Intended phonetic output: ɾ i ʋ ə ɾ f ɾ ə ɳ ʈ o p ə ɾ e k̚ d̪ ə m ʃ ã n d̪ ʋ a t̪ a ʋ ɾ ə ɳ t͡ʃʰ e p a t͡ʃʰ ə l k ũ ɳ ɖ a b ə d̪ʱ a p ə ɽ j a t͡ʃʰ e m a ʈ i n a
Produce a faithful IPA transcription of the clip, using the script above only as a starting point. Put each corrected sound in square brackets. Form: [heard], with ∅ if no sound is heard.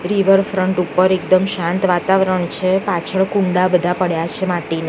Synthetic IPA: ɾ i ʋ ə ɾ f ɾ ə ɳ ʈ [u] p ə ɾ e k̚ d̪ ə m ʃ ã n [t̪] ʋ a t̪ a ʋ ɾ ə ɳ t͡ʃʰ e p a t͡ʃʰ ə [ɭ] k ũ ɳ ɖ a b ə d̪ʱ a p ə ɽ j a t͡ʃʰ e m a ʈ i n a